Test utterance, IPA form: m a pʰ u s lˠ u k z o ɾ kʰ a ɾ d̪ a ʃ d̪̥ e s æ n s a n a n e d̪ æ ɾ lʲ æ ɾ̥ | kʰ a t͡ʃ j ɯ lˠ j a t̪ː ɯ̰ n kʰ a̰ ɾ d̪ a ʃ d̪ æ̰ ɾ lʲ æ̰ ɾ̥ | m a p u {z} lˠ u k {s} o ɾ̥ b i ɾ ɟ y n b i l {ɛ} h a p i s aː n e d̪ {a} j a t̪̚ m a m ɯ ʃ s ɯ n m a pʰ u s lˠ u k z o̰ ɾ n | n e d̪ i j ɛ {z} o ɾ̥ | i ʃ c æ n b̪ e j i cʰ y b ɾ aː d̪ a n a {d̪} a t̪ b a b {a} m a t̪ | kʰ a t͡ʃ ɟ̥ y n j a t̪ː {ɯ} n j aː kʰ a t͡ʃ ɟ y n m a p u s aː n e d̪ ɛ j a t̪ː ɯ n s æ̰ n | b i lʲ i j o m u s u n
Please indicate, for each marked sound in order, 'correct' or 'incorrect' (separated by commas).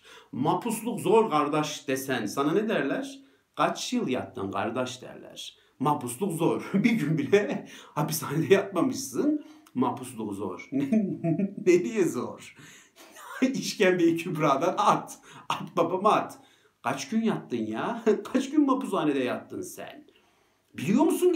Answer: incorrect, incorrect, correct, incorrect, correct, incorrect, correct, correct